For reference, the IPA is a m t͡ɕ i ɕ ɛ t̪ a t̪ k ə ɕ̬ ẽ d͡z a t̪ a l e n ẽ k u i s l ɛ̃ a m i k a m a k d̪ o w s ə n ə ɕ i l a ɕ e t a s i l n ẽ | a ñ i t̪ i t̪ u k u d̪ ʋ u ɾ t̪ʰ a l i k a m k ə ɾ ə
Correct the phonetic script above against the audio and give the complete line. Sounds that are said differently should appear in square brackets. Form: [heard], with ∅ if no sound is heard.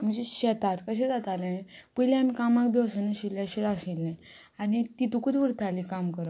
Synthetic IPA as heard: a m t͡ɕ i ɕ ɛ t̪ a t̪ k ə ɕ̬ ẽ d͡z a t̪ a l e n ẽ [p] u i [∅] l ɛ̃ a m i k a m a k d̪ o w s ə n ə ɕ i l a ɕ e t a s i l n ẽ | a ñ i t̪ i t̪ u k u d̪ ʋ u ɾ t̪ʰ a l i k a m k ə ɾ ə